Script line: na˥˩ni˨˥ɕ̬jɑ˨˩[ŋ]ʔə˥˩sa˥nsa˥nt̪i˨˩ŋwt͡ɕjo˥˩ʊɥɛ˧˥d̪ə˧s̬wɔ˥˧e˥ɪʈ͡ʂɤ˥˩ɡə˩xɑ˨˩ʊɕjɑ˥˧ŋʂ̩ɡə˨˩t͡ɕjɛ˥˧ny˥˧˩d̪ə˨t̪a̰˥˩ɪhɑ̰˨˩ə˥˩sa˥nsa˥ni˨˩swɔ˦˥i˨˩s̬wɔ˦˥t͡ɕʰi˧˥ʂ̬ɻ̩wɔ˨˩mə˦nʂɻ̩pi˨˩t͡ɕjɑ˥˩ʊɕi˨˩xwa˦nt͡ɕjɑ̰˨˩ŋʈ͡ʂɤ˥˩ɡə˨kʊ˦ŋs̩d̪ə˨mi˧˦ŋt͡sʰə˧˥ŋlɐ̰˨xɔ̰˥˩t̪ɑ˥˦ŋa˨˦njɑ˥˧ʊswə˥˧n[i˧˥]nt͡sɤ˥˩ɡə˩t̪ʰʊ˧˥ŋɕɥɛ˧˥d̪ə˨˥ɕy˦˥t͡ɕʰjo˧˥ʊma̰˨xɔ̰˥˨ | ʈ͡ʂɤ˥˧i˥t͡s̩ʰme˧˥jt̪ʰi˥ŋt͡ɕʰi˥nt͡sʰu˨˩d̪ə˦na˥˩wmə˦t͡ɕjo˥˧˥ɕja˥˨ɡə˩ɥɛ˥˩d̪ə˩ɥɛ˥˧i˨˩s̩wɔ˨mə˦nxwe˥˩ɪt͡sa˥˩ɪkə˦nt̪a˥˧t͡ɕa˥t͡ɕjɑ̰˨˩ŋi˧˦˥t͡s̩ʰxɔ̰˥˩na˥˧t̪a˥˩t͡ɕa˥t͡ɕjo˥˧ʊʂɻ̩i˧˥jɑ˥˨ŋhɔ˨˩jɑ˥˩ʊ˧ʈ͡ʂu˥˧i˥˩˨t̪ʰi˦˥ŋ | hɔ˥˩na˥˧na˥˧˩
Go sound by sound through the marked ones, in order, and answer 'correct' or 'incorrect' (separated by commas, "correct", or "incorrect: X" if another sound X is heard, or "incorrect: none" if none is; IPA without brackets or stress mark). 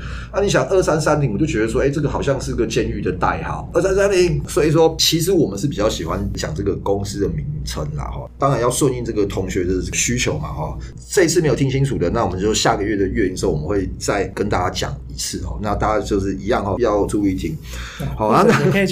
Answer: correct, incorrect: i˥˧